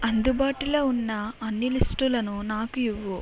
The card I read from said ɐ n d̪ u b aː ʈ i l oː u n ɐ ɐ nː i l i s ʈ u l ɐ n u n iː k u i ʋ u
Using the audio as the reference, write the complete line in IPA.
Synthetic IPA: ɐ n d̪ u b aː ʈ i l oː u nː ɐ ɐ nː i l i s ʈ u l ɐ n u n aː k u i ʋː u